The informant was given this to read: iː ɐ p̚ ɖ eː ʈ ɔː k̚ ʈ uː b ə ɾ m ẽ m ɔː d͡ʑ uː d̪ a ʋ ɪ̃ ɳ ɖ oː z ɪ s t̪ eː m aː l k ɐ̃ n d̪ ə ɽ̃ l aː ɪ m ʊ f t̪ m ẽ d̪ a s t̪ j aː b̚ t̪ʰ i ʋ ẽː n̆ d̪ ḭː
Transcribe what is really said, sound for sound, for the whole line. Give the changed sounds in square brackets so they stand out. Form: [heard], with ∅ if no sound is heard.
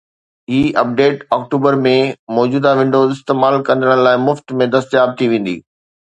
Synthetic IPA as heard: iː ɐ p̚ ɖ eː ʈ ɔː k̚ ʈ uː b ə ɾ m ẽ m ɔː d͡ʑ uː d̪ a ʋ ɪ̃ ɳ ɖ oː z ɪ s t̪ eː m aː l k ɐ̃ n d̪ ə ɽ̃ l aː ɪ m ʊ f t̪ m ẽ d̪ [ɐ] s t̪ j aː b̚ t̪ʰ i ʋ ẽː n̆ d̪ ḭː